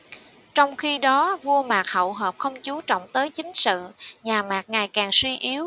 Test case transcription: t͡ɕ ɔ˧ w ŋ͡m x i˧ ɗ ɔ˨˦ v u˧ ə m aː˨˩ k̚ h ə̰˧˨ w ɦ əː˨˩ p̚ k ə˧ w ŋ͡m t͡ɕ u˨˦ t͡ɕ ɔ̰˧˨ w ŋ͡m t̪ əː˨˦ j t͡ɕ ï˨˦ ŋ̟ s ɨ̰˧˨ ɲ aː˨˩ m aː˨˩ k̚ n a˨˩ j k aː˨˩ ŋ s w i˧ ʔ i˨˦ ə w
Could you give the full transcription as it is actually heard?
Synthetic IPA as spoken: t͡ɕ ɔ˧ w ŋ͡m x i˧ ɗ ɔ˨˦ v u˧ ə m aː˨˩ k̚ h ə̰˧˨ w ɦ əː˨˩ p̚ x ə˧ w ŋ͡m t͡ɕ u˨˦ t͡ɕ ɔ̰˧˨ w ŋ͡m t̪ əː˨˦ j t͡ɕ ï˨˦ ŋ̟ s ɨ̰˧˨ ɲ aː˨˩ m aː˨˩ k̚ ŋ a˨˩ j k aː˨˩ ŋ s w i˧ ʔ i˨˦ ə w